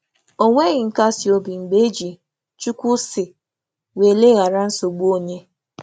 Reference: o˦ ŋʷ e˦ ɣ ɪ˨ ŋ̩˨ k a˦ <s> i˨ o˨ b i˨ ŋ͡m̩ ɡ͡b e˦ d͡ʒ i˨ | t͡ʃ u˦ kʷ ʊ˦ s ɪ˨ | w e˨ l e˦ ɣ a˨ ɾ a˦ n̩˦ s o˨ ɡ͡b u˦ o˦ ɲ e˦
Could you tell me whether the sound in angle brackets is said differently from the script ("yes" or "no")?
no